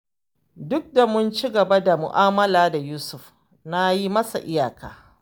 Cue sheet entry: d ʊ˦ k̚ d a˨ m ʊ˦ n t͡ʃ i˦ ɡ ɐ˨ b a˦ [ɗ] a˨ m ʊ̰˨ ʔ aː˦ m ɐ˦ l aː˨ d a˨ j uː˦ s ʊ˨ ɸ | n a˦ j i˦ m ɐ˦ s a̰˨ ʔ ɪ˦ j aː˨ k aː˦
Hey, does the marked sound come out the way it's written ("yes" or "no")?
no